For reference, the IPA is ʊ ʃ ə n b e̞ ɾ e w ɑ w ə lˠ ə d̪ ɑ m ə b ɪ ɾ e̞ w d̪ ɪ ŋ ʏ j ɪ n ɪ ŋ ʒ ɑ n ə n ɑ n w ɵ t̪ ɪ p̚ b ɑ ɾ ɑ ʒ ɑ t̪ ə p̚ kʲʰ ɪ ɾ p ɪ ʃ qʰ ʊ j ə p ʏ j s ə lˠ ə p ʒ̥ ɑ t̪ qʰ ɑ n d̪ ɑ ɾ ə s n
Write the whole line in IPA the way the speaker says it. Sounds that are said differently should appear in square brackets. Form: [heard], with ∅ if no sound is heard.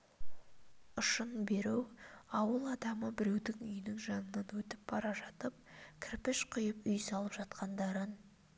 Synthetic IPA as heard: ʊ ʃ ə n b e̞ ɾ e w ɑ w ə lˠ [ɑ] d̪ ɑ m ə b ɪ ɾ e̞ w d̪ ɪ ŋ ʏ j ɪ n ɪ ŋ ʒ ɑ n ə n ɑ n w ɵ t̪ ɪ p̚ b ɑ ɾ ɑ ʒ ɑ t̪ ə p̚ kʲʰ ɪ ɾ p ɪ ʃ qʰ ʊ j ə p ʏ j s [ɑ] lˠ ə p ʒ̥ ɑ t̪ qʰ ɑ n d̪ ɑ ɾ ə [∅] n